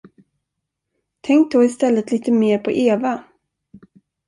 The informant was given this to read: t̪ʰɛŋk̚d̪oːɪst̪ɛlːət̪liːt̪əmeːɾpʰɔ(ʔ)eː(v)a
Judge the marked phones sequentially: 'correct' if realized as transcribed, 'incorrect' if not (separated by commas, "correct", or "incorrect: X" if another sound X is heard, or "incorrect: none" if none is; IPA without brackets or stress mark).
correct, correct